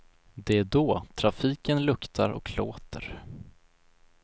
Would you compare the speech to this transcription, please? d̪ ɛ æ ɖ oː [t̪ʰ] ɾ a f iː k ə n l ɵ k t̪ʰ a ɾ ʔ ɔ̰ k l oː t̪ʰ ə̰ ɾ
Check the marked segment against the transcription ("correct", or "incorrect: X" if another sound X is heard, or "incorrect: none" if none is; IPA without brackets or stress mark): correct